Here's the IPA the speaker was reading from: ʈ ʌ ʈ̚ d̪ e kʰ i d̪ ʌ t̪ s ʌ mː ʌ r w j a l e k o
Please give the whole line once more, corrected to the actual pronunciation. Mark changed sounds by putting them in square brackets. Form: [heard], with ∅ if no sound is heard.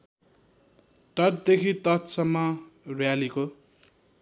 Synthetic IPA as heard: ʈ ʌ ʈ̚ d̪ e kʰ i [t̪] ʌ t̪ s ʌ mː ʌ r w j a l [i] k o